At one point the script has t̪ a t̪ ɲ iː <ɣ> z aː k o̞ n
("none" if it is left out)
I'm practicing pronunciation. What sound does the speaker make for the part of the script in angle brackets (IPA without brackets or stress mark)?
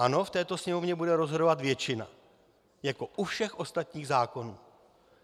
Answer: ɣ